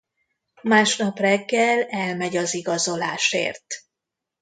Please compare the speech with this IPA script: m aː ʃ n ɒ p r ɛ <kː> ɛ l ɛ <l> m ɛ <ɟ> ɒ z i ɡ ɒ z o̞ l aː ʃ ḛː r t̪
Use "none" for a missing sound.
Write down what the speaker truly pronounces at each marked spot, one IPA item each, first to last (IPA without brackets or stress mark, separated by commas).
ɡː, l, ɟ